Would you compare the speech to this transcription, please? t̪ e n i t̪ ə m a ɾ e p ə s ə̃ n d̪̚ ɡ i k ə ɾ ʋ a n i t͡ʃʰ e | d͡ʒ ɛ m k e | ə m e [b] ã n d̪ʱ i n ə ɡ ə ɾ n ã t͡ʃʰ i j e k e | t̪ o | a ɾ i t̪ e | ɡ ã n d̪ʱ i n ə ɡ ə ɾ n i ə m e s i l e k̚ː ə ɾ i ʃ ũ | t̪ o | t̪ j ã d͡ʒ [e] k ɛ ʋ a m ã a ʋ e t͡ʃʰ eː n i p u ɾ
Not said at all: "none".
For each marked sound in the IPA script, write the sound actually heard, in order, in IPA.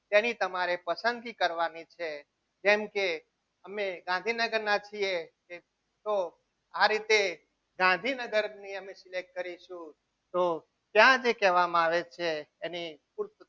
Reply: ɡ, e

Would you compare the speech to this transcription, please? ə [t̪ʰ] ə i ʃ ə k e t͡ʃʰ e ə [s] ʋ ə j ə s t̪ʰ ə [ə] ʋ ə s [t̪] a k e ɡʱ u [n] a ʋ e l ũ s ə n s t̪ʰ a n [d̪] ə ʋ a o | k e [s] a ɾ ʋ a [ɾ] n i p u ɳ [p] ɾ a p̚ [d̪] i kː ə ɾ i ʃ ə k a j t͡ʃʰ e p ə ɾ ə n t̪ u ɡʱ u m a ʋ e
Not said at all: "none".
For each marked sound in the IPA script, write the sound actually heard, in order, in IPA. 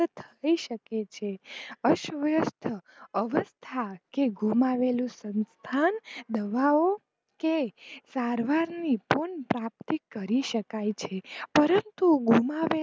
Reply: t̪ʰ, ʃ, ə, t̪ʰ, m, d̪, s, ɾ, p, t̪

